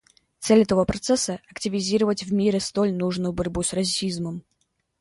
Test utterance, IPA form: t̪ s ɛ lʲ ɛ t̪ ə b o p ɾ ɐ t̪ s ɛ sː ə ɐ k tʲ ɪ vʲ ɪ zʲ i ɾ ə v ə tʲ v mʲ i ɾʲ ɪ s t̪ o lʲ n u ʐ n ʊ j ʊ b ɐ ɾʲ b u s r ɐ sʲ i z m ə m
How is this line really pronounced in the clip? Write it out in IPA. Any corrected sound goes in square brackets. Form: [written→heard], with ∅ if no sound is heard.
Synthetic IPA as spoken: t̪ s ɛ lʲ ɛ t̪ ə [b→v] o p ɾ ɐ t̪ s ɛ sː ə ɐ k tʲ ɪ vʲ ɪ zʲ i ɾ ə v ə tʲ v mʲ i ɾʲ ɪ s t̪ o lʲ n u ʐ n ʊ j ʊ b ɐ ɾʲ b u s r ɐ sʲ i z m ə m